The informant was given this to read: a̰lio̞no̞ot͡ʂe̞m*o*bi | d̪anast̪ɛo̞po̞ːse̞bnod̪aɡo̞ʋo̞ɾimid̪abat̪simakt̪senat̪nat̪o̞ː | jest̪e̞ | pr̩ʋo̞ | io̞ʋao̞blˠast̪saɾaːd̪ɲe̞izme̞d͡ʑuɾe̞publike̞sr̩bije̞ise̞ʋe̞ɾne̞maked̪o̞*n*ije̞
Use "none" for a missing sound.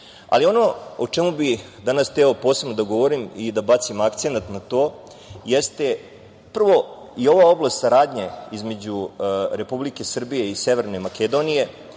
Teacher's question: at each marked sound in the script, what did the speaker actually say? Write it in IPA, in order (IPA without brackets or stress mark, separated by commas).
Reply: u, n